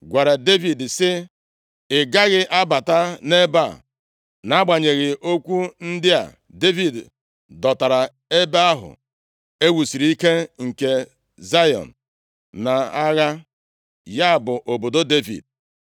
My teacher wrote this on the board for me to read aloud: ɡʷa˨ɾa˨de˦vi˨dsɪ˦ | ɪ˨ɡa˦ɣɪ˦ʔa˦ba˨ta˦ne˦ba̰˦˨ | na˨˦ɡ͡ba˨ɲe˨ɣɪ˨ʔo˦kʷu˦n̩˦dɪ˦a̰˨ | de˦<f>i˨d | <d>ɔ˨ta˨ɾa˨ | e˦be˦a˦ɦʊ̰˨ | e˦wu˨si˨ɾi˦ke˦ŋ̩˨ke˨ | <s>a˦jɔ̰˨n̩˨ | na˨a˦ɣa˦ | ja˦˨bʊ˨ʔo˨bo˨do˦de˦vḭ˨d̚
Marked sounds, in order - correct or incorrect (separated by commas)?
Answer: incorrect, correct, incorrect